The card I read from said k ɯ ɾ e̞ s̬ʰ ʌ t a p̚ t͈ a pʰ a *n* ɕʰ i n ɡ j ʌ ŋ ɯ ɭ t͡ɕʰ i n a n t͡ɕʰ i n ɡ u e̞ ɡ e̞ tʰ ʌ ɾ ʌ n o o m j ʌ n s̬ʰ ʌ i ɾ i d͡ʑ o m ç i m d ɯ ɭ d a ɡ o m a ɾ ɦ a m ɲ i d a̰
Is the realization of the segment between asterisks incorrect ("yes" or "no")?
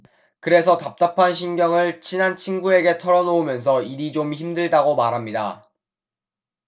no